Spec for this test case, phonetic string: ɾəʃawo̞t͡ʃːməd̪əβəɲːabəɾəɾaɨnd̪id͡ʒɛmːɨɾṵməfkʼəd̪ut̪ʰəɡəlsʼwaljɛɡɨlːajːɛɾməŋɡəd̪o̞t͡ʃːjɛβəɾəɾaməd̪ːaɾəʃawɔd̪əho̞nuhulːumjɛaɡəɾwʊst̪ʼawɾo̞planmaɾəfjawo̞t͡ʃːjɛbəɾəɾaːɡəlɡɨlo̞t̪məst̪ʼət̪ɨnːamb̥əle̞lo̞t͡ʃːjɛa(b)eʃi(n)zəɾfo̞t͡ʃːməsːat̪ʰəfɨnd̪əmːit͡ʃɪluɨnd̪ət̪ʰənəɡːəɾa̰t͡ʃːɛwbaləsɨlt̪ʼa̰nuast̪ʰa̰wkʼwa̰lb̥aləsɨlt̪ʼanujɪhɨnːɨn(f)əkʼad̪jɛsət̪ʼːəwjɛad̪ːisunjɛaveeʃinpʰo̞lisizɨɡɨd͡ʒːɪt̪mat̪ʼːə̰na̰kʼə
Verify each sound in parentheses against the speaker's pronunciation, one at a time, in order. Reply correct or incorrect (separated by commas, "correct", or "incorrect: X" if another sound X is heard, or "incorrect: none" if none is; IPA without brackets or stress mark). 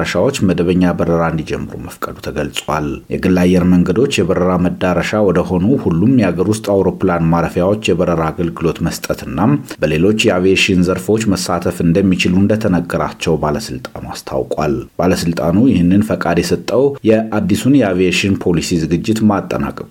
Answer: incorrect: v, correct, correct